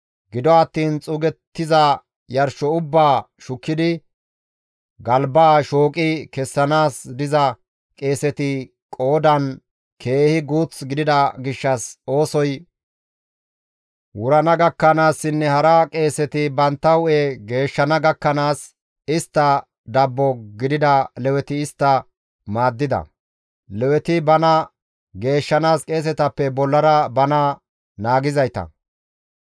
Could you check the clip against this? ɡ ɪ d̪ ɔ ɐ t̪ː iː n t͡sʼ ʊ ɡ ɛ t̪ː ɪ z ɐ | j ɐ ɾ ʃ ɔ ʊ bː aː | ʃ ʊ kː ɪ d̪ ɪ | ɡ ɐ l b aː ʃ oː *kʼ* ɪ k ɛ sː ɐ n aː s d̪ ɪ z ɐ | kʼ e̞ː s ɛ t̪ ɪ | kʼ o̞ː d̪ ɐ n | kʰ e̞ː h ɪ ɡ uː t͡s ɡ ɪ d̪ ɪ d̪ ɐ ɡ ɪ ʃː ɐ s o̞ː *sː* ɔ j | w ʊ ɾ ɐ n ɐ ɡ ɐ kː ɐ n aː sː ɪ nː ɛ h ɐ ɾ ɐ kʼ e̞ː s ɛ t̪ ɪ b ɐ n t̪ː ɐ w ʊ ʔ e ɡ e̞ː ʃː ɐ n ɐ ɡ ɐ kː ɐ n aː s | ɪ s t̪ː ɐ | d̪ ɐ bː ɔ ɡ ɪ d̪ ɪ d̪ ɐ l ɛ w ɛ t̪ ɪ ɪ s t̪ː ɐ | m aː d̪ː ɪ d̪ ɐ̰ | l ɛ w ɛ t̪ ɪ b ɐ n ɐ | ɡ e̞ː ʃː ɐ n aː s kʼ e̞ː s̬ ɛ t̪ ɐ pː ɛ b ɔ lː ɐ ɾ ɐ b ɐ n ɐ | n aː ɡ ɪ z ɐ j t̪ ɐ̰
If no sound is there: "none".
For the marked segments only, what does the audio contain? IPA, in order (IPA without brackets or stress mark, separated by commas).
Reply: kʼ, s